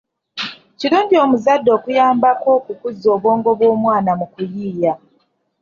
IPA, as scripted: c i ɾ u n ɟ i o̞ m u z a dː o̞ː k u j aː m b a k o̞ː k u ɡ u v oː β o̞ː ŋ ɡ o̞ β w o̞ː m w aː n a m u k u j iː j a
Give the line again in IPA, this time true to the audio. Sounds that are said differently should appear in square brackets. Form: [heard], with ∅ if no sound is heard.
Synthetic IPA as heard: c i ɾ [uː] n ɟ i o̞ m u z a dː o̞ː k u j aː m b a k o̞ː k u [k] u [z] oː β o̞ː ŋ ɡ o̞ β w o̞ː m w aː n a m u k u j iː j a

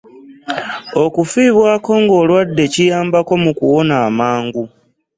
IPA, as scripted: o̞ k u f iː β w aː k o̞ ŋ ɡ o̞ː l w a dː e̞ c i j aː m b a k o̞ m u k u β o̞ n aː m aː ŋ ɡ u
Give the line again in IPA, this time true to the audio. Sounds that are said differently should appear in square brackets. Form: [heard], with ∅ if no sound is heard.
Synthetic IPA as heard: o̞ k u f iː β w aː k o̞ ŋ ɡ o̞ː l w a dː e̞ c i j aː m b a k o̞ m u k u [w] o̞ n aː m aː ŋ ɡ u

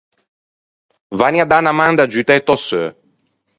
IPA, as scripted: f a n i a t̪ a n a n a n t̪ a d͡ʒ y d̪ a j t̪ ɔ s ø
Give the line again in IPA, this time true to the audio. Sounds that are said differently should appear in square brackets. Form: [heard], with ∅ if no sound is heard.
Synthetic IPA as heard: [v] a n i a [d̪] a n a [m] a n [d̪] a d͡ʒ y [t̪] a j t̪ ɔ s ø

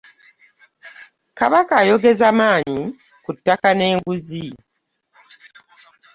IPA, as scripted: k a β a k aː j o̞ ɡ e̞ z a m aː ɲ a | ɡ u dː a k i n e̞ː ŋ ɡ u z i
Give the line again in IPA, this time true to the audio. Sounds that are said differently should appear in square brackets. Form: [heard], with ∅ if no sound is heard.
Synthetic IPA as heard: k a β a k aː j o̞ ɡ e̞ z a m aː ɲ [i] | [k] u [tː] a k [a] n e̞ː ŋ ɡ u z i

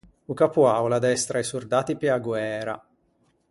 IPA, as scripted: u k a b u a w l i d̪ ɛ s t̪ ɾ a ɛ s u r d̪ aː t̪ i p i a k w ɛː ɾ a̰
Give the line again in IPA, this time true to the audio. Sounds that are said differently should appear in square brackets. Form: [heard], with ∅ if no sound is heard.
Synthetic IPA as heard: u k a [p] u a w l [a] d̪ ɛ s t̪ ɾ a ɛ s u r d̪ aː t̪ i p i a [ɡ] w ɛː ɾ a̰

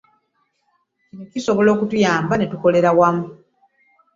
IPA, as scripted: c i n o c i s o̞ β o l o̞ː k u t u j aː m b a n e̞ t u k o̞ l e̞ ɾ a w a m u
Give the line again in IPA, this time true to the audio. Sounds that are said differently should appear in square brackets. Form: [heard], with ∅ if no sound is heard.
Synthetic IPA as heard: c i n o c i s o̞ β o l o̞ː k u t u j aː m b a n e̞ t u k o̞ l e̞ ɾ a w a m u

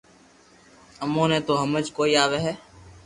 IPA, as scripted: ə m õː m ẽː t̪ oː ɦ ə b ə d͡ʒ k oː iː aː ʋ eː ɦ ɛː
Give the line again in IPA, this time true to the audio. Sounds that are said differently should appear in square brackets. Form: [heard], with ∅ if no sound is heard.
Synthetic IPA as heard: ə m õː [n] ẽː t̪ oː ɦ ə [m] ə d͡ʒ k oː iː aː ʋ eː ɦ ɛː

